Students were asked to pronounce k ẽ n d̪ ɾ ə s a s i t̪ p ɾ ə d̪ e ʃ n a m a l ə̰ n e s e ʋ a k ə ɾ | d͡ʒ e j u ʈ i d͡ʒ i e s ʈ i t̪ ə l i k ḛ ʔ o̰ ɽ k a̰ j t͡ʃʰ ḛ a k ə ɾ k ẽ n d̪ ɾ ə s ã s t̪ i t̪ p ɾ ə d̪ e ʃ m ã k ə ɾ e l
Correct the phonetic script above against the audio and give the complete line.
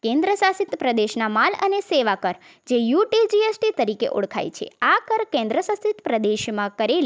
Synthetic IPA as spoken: k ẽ n d̪ ɾ ə s a s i t̪ p ɾ ə d̪ e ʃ n a m a l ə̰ n e s e ʋ a k ə ɾ | d͡ʒ e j u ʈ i d͡ʒ i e s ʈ i t̪ ə ɾ i k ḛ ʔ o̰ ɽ kʰ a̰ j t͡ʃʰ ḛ a k ə ɾ k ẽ n d̪ ɾ ə s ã s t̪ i t̪ p ɾ ə d̪ e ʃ m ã k ə ɾ e l